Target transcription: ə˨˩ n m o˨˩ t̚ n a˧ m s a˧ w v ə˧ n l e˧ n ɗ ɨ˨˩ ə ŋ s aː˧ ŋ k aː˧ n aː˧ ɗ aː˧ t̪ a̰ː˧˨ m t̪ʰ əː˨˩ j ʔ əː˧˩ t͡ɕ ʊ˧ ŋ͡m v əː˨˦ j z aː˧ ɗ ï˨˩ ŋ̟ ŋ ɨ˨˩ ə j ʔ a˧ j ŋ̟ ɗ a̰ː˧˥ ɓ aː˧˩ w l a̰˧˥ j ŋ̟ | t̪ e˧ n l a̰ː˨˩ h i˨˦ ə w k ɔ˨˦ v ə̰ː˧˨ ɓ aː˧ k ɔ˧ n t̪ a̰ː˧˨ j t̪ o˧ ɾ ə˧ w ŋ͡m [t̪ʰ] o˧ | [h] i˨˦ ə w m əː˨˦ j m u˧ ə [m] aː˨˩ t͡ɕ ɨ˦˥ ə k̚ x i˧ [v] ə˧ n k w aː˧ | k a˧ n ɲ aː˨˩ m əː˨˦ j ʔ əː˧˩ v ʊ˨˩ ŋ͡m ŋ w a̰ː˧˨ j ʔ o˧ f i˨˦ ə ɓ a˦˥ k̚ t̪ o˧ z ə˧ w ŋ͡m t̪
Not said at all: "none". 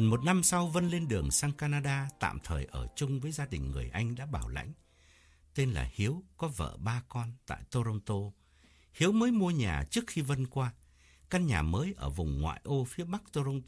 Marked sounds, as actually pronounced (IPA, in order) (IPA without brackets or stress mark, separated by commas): t̪, h, ɲ, v